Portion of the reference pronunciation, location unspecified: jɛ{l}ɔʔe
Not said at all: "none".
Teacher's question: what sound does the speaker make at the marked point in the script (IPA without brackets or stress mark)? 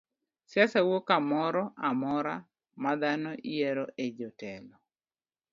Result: ɾ